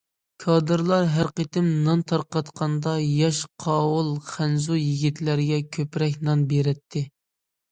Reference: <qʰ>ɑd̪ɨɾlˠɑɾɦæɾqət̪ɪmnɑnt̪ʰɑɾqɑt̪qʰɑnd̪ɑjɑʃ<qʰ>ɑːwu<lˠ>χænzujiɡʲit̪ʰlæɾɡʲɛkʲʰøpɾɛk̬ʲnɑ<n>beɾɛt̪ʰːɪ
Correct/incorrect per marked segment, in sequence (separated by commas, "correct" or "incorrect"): incorrect, correct, correct, correct